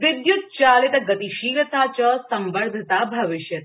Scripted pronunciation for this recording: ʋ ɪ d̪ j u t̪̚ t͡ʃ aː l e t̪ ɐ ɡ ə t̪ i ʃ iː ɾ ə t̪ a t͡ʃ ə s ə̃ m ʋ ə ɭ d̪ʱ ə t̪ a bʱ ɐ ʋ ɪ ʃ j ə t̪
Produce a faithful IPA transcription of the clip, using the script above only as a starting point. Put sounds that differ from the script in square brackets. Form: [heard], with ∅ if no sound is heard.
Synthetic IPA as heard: ʋ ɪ d̪ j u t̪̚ t͡ʃ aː l e t̪ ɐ ɡ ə t̪ i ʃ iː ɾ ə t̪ a t͡ʃ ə s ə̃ m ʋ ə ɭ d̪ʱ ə t̪ a bʱ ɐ ʋ ɪ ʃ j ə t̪